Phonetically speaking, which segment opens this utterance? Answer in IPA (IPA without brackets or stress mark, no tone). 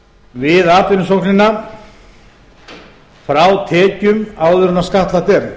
v